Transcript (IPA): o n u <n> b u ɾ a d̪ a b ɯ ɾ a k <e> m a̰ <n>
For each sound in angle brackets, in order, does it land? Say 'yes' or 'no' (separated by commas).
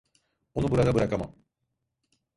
no, no, no